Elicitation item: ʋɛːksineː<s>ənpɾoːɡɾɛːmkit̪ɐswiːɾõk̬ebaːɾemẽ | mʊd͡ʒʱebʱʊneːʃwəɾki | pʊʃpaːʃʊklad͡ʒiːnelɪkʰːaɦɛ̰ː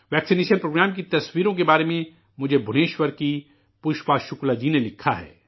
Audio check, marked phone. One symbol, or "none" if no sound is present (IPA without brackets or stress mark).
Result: ʃ